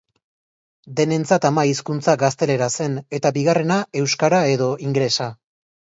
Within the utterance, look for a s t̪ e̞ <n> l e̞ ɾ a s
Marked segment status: incorrect: none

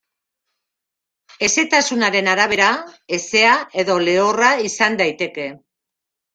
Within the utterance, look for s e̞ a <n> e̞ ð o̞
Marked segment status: incorrect: none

